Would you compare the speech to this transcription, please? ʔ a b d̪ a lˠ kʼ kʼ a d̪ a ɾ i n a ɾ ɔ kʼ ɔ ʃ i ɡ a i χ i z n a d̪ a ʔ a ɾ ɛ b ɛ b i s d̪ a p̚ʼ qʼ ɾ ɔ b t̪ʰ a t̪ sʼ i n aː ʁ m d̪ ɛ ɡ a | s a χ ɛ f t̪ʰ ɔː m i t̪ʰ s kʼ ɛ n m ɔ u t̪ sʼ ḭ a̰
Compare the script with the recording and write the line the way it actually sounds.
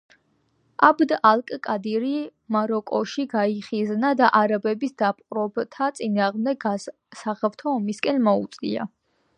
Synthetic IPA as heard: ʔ a b d̪ a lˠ kʼ kʼ a d̪ i ɾ i m a ɾ ɔ kʼ ɔ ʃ i ɡ a i χ i z n a d̪ a ʔ a ɾ a b ɛ b i s d̪ a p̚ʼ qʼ ɾ ɔ b t̪ʰ a t̪ sʼ i n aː ʁ m d̪ ɛ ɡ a | s a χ ɛ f t̪ʰ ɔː m i s kʼ ɛ n m ɔ u t̪ sʼ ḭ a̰

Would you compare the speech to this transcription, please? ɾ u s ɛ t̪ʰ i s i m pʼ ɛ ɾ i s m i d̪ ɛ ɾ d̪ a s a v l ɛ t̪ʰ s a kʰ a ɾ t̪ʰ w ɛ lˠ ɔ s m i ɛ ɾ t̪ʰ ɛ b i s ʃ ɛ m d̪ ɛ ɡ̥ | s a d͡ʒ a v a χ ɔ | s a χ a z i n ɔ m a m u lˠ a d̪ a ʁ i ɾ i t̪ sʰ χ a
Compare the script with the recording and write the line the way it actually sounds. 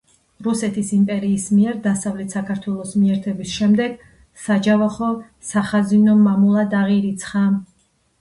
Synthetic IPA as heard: ɾ u s ɛ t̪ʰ i s i m pʼ ɛ ɾ iː s m i ɛ ɾ d̪ a s a v l ɛ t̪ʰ s a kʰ a ɾ t̪ʰ w ɛ lˠ ɔ s m i ɛ ɾ t̪ʰ ɛ b i s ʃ ɛ m d̪ ɛ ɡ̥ | s a d͡ʒ a v a χ ɔ | s a χ a z i n ɔ m a m u lˠ a d̪ a ʁ i ɾ i t̪ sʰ χ a

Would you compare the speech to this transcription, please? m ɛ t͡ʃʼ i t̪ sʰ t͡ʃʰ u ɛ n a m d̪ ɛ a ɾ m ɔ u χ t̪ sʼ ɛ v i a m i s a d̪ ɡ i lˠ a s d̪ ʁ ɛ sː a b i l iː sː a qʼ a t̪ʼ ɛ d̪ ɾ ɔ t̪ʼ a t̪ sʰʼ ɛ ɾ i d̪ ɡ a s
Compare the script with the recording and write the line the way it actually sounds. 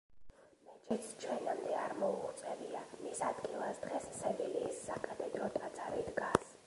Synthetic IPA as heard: m ɛ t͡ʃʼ i t̪ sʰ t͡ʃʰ w ɛ n a m d̪ ɛ a ɾ m ɔ u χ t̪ sʼ ɛ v i a m i s a d̪ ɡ i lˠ a s d̪ ʁ ɛ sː ɛ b i l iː sː a kʼ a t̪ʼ ɛ d̪ ɾ ɔ t̪ʼ a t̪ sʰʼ a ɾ i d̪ ɡ a s

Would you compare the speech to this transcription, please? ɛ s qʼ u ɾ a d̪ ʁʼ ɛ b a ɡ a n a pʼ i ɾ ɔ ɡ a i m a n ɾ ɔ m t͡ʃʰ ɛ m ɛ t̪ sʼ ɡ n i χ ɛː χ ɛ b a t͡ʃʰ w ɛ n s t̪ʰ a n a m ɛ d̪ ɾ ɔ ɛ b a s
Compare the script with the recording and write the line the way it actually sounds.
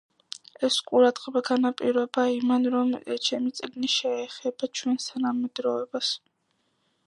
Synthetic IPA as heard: ɛ s qʼ u ɾ a d̪ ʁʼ ɛ b a ɡ a n a pʼ i ɾ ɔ b a i m a n ɾ ɔ m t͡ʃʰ ɛ m i t̪ sʼ ɡ n i ʃ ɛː χ ɛ b a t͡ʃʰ w ɛ n s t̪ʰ a n a m ɛ d̪ ɾ ɔ ɛ b a s

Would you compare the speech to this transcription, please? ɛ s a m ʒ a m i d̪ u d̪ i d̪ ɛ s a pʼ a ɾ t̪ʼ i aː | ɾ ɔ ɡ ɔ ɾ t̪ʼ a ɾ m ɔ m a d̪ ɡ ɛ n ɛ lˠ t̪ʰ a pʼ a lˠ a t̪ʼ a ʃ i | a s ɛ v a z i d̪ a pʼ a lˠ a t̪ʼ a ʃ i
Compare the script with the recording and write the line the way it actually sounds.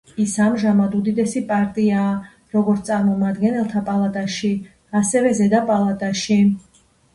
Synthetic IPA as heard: i s a m ʒ a m a d̪ u d̪ i d̪ ɛ s i pʼ a ɾ t̪ʼ i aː | ɾ ɔ ɡ ɔ ɾ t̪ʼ a ɾ m ɔ m a d̪ ɡ ɛ n ɛ lˠ t̪ʰ a pʼ a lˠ a t̪ʼ a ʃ i | a s ɛ v ɛ z ɛ d̪ a pʼ a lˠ a t̪ʼ a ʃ i

